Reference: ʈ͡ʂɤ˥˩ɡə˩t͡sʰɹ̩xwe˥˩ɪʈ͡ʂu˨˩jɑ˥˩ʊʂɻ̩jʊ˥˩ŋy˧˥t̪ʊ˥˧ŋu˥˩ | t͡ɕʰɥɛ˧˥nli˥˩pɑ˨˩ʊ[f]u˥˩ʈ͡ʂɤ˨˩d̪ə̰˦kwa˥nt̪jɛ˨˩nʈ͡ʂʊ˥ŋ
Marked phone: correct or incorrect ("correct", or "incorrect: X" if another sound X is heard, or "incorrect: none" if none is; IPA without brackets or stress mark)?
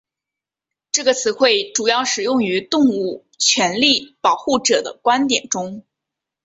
incorrect: x